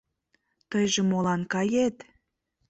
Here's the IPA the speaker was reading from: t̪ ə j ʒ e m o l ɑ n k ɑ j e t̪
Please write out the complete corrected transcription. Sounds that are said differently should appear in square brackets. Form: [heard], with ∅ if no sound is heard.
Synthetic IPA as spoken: t̪ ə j ʒ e m o l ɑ n k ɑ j e t̪